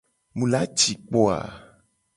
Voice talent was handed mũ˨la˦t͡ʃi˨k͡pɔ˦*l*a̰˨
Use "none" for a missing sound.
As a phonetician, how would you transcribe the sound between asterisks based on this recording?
none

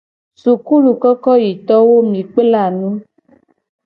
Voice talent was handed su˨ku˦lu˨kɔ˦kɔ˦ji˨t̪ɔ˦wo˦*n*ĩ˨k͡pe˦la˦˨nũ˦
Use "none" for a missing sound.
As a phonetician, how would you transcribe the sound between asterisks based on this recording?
m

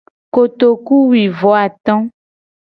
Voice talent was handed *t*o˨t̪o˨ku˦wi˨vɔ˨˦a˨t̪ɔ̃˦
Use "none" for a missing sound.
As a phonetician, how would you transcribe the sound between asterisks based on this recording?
k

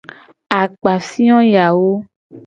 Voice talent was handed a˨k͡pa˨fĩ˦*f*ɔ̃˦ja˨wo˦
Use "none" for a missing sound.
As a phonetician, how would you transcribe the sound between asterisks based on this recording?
none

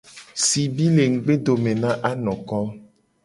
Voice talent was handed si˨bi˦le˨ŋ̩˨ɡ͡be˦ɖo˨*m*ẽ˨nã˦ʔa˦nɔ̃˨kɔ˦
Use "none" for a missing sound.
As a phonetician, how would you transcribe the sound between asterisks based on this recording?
m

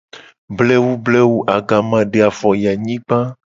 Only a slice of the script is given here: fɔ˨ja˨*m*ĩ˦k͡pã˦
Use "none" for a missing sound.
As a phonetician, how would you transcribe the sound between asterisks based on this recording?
ɲ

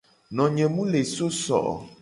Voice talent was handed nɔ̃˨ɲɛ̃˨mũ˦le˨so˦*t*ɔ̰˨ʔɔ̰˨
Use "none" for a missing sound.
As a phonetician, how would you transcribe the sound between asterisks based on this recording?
s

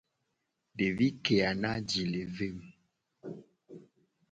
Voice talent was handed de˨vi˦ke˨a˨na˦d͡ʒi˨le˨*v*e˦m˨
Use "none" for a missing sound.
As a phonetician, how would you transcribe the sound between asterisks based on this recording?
v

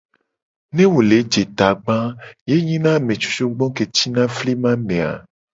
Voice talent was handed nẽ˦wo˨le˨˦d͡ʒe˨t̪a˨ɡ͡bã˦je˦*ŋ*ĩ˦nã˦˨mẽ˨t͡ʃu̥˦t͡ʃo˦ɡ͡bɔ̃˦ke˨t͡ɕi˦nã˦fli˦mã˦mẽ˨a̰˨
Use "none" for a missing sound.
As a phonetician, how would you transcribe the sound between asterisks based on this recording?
ɲ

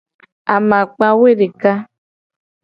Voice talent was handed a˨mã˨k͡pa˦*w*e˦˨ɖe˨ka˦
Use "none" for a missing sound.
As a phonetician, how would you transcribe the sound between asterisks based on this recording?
w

